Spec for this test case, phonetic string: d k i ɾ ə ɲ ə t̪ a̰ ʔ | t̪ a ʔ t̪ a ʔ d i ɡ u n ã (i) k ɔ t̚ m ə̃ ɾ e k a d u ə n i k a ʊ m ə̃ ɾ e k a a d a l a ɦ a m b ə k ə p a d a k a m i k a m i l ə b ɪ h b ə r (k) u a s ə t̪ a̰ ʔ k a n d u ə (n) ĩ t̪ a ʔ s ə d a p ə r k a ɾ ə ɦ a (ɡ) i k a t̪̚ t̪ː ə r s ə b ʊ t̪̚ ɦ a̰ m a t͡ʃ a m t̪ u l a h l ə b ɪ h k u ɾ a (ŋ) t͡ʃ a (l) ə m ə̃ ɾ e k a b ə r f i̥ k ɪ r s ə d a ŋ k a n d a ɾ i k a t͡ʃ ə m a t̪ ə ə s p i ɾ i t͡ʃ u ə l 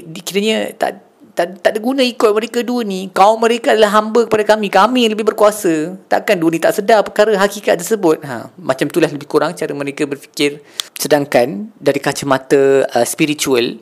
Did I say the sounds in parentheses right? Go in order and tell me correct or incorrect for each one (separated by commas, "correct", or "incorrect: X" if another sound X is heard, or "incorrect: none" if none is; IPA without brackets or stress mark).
correct, correct, correct, incorrect: k, correct, incorrect: ɾ